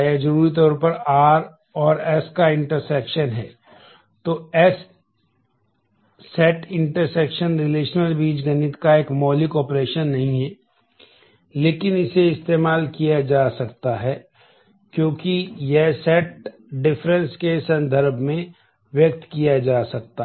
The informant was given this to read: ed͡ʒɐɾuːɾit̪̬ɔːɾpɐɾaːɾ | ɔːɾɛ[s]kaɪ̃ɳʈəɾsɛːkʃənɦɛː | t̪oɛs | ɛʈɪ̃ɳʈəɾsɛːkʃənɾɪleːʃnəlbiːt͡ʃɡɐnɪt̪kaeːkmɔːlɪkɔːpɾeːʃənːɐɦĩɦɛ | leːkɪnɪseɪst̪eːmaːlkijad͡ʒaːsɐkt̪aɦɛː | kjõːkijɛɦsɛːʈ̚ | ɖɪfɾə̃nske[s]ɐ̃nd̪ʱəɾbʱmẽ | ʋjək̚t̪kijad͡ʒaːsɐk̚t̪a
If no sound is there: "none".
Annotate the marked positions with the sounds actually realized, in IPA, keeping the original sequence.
s, s

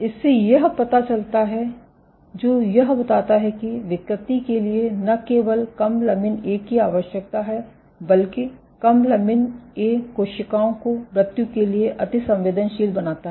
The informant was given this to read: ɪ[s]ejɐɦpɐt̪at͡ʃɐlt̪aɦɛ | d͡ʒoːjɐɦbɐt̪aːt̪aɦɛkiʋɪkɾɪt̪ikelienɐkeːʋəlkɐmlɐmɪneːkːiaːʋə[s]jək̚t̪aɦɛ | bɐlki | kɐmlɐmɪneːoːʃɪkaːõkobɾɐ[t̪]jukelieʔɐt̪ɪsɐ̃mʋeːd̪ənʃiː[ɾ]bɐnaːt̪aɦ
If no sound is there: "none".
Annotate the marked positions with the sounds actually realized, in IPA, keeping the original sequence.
sː, ʃ, t̪, l

